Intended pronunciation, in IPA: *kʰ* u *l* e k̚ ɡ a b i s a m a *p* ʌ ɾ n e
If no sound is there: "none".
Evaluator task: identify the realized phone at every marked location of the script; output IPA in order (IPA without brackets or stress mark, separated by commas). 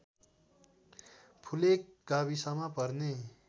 pʰ, l, p